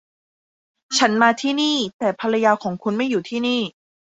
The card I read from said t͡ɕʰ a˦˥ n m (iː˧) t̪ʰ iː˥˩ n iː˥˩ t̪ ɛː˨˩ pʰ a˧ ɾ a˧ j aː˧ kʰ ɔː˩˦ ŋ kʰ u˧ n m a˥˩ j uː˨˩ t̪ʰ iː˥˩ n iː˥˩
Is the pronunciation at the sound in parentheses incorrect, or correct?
incorrect